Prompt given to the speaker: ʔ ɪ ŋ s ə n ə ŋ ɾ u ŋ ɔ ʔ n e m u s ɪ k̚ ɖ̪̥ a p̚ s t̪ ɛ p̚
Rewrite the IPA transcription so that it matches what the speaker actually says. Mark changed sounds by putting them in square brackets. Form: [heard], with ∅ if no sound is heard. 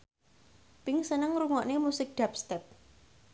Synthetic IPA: [p] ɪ ŋ s ə n ə ŋ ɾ u ŋ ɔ ʔ n e m u s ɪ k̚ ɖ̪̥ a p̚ s t̪ ɛ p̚